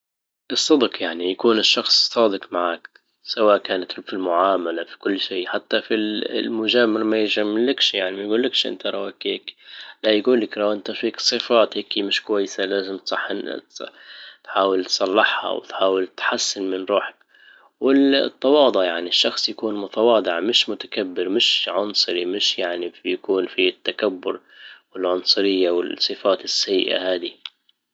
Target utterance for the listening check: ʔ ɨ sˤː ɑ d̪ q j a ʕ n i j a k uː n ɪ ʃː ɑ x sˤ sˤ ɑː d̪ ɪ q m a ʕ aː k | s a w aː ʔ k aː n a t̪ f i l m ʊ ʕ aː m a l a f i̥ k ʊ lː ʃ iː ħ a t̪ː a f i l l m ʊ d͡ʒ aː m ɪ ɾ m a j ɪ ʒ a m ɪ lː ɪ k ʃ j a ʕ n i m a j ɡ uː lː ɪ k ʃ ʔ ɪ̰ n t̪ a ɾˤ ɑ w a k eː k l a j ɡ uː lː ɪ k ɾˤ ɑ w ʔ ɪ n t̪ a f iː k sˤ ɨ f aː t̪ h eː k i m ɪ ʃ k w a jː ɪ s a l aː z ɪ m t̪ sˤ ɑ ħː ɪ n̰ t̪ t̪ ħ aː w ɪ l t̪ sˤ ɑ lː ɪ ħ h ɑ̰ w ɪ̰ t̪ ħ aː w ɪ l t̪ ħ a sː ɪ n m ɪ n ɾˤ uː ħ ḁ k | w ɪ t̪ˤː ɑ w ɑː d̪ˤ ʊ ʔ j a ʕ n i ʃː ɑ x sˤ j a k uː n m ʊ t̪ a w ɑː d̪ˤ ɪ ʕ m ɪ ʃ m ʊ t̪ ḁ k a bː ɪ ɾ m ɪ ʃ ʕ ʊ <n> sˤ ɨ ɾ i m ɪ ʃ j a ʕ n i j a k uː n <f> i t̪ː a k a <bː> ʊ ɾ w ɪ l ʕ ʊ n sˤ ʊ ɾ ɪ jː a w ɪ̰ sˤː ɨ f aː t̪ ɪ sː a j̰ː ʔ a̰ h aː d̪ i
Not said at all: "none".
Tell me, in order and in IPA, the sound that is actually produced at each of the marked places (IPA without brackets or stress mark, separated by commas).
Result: n, f, bː